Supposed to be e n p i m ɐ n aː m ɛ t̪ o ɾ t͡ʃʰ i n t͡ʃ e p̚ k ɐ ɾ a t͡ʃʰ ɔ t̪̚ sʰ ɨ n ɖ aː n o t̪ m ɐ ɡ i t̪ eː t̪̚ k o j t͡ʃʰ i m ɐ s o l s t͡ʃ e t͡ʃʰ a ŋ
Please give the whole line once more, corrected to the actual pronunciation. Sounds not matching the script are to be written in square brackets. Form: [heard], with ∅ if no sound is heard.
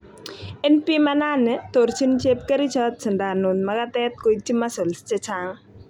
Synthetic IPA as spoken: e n p i m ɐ n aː [n] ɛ t̪ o ɾ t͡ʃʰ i n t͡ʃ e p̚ k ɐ ɾ [i] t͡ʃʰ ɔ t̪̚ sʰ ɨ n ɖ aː n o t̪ m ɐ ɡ [a] t̪ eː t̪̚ k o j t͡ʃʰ i m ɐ s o l s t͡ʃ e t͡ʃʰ a ŋ